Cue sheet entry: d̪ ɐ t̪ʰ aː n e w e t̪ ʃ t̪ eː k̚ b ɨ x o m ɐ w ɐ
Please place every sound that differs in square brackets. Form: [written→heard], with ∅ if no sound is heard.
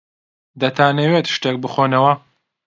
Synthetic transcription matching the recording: d̪ ɐ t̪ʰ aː n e w e t̪ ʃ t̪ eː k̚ b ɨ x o [m→n] ɐ w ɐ